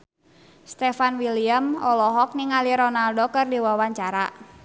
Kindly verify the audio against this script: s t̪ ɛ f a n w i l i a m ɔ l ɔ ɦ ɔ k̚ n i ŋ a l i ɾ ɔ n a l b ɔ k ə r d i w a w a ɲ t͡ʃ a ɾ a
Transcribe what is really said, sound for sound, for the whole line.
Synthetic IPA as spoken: s t̪ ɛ f a n w i l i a m ɔ l ɔ ɦ ɔ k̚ n i ŋ a l i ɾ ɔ n a l d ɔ k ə r d i w a w a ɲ t͡ʃ a ɾ a